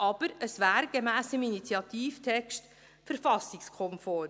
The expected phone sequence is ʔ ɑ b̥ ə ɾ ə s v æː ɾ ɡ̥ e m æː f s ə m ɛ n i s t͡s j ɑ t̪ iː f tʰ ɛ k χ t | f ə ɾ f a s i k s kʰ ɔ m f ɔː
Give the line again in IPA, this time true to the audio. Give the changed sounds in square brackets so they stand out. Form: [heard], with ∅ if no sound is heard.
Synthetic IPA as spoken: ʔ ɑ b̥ ə ɾ ə s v æː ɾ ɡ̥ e m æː [∅] s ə m [i] n i [∅] t͡s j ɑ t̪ iː f tʰ ɛ k [ʃ] t | f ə ɾ f [ɑ] s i k s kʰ ɔ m f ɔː